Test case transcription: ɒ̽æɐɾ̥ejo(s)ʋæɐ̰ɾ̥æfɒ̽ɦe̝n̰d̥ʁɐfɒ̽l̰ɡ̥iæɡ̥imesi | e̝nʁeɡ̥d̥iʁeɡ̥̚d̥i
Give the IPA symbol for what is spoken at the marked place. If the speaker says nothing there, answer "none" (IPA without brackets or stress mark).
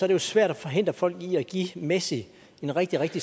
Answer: s